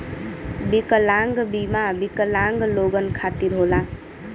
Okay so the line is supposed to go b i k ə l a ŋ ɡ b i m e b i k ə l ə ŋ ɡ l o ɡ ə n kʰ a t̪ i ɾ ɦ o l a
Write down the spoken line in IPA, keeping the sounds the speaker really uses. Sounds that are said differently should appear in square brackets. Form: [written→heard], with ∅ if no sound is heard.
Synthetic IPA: b i k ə l a ŋ ɡ b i m [e→a] b i k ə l [ə→a] ŋ ɡ l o ɡ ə n kʰ a t̪ i ɾ ɦ o l a